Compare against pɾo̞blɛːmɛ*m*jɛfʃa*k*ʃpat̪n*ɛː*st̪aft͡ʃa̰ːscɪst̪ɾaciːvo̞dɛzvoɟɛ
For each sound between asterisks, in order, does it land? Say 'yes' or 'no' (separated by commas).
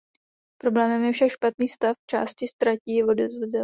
yes, yes, no